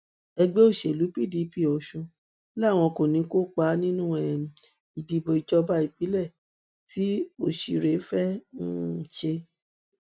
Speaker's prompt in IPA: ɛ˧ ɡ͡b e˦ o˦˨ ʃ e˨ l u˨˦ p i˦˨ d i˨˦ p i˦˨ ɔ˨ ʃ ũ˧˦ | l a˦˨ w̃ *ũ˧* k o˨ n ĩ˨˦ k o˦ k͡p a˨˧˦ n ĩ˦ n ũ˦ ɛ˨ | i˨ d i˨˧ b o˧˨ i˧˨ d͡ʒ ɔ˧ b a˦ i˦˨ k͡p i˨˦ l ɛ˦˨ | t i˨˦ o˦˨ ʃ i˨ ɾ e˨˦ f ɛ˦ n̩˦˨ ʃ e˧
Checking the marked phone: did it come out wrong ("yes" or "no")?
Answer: yes